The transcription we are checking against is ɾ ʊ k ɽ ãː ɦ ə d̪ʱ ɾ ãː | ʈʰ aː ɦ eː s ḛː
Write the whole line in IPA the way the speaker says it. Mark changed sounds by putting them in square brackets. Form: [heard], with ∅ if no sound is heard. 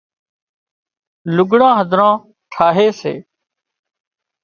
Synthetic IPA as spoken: [l] ʊ [ɡ] ɽ ãː ɦ ə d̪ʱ ɾ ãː | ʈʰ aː ɦ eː s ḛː